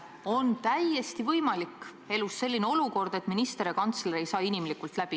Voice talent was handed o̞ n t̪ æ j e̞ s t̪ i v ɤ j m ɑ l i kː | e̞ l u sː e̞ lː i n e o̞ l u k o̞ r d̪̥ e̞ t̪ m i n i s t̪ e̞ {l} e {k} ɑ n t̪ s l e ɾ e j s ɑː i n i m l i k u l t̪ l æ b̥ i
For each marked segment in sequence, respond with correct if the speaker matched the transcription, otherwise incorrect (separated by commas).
incorrect, correct